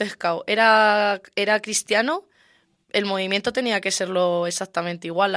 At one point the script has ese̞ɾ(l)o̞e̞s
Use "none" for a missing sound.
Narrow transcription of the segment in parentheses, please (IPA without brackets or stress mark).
l